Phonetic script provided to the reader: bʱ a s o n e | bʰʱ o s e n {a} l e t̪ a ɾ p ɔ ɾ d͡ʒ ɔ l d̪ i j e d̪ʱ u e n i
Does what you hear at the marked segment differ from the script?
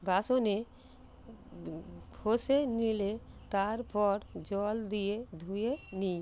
yes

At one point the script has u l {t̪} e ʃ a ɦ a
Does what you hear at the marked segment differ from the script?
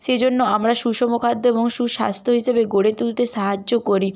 no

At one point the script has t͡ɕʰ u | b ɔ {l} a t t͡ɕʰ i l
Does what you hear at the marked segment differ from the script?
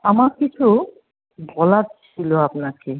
no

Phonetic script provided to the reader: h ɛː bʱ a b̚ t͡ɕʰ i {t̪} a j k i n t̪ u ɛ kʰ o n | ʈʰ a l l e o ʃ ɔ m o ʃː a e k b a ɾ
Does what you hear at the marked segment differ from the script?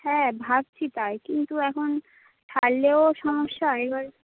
no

